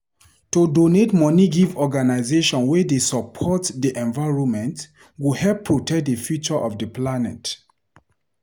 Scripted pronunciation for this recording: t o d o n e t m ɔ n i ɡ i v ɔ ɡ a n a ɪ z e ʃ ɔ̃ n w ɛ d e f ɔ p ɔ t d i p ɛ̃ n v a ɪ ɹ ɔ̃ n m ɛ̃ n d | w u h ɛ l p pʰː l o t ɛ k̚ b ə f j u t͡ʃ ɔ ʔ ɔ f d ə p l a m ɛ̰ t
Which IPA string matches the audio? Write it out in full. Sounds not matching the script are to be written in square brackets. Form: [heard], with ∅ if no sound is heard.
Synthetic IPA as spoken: t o d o n e t m ɔ n i ɡ i v ɔ ɡ a n a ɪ z e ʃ ɔ̃ n w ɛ d e [s] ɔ [pʰ] ɔ t d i [ʔ] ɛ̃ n v a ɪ ɹ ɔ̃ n m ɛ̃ n [t] | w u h ɛ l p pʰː [ɹ] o t ɛ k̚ [d] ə f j u t͡ʃ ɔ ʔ ɔ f d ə p l a [n] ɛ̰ t